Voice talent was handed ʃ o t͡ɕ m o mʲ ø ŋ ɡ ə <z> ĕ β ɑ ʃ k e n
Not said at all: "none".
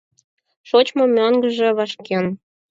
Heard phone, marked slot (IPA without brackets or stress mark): ʒ